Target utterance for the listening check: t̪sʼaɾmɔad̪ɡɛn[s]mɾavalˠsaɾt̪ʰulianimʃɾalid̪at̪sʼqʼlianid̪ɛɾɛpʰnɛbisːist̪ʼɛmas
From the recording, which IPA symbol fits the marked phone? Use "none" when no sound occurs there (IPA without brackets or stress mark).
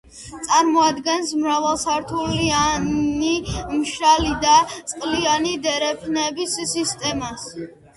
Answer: s